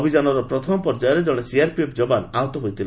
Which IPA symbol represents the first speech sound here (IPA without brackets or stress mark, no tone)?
bʱ